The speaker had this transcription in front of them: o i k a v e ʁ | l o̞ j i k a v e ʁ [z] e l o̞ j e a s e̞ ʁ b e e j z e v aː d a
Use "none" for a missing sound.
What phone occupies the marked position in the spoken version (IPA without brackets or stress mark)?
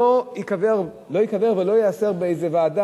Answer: v